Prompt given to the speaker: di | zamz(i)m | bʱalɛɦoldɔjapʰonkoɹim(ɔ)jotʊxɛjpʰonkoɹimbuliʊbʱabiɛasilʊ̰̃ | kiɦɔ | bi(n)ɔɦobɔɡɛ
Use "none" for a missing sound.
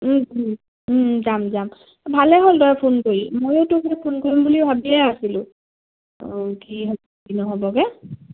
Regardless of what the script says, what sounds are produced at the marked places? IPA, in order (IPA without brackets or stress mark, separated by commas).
a, o, n